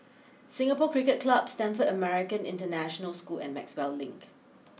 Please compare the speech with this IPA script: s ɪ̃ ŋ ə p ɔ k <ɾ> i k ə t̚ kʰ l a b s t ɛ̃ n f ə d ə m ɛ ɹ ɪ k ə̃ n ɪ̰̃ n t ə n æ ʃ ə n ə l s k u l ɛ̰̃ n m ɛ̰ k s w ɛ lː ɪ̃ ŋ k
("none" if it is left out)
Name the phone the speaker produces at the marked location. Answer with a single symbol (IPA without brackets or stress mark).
ɹ